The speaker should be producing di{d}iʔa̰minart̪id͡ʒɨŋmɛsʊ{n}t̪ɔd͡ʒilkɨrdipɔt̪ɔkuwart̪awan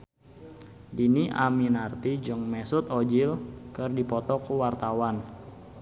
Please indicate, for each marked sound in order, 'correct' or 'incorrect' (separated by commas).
incorrect, incorrect